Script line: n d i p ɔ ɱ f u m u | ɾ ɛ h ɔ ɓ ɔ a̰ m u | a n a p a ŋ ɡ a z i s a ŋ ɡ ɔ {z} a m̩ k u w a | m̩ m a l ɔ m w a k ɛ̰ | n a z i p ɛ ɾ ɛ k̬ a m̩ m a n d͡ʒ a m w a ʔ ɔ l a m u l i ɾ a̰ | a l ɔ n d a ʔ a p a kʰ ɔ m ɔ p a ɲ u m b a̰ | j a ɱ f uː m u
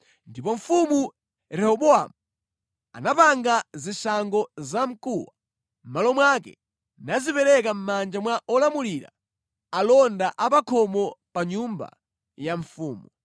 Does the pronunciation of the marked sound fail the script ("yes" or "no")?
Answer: no